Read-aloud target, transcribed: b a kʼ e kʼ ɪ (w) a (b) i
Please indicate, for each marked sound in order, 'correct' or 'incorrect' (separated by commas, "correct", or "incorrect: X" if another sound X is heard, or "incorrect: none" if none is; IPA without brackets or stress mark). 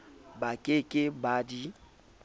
incorrect: b, incorrect: d